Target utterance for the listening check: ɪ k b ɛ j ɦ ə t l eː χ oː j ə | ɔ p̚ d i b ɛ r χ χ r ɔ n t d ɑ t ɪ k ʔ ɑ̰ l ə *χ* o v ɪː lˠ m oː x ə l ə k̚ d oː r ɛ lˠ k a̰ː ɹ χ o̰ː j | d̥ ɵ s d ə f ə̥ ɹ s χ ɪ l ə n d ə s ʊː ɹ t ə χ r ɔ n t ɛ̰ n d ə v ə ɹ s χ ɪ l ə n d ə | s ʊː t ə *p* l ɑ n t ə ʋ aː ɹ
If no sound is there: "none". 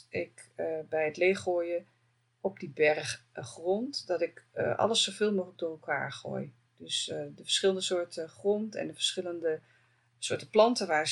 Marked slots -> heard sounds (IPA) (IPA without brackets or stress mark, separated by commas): s, p